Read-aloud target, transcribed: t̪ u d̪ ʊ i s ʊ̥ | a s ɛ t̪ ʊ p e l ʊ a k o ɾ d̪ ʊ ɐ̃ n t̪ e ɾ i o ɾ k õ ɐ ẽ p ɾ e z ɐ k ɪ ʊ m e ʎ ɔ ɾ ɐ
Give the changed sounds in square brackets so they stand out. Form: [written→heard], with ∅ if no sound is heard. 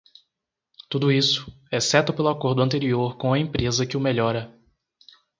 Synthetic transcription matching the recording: t̪ u d̪ ʊ i s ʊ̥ | [a→ɛ] s ɛ t̪ ʊ p e l ʊ a k o ɾ d̪ ʊ ɐ̃ n t̪ e ɾ i o ɾ k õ ɐ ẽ p ɾ e z ɐ k ɪ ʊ m e ʎ ɔ ɾ ɐ